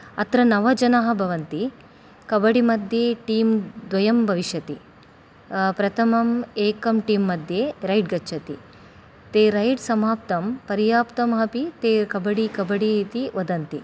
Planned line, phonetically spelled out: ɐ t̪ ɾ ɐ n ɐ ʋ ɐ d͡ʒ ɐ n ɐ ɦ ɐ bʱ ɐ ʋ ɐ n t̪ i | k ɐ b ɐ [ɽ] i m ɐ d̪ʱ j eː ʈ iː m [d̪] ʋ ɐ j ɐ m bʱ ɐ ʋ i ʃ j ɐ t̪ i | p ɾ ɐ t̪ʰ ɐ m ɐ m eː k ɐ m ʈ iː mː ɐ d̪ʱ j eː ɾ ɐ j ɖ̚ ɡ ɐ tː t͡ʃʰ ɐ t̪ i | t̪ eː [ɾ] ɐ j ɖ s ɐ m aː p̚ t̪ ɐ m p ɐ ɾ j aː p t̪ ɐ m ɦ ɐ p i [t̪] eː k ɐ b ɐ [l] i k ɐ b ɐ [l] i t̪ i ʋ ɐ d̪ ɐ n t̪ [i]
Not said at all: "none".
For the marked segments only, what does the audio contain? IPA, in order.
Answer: ɽ, d̪, ɾ, t̪, ɽ, ɽ, i

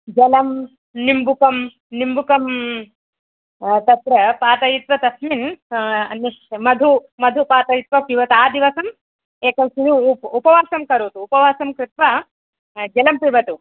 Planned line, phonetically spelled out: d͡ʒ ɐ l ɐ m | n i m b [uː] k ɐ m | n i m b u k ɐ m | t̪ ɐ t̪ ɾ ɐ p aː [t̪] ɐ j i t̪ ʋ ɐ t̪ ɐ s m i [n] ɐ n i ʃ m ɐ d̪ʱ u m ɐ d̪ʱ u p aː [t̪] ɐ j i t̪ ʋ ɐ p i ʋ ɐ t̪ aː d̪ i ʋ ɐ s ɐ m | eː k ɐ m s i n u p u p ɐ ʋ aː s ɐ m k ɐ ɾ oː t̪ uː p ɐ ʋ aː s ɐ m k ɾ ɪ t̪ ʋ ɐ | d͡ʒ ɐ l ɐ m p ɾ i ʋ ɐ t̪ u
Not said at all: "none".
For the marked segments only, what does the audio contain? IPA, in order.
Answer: u, t̪, n, t̪

